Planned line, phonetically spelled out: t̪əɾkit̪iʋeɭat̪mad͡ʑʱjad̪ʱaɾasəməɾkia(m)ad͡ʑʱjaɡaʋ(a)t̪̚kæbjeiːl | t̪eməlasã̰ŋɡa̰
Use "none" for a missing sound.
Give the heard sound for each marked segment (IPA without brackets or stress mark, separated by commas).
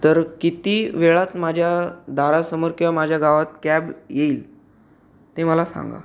m, a